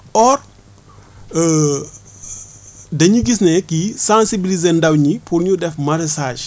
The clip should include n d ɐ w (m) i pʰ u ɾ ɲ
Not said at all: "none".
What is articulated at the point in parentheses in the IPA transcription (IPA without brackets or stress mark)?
ɲ